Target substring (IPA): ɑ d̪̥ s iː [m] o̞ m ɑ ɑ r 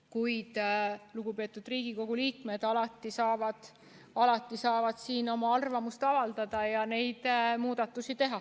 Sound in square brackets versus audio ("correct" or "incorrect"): incorrect